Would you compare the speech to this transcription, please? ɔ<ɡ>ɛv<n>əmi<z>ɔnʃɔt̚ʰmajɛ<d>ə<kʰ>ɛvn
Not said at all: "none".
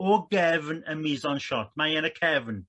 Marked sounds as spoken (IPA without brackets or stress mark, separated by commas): ɡ, n, z, n, kʰ